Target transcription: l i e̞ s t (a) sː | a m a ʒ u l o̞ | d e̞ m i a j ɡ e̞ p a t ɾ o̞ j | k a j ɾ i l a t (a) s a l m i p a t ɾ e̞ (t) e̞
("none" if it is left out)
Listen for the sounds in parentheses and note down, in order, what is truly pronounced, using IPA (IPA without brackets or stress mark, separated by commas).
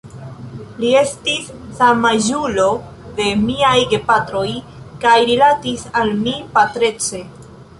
i, i, t͡s